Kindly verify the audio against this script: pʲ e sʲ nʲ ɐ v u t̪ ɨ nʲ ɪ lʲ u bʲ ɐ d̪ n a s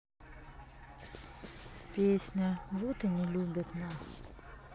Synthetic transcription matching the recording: pʲ e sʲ nʲ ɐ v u t̪ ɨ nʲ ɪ lʲ u bʲ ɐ t̪ n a s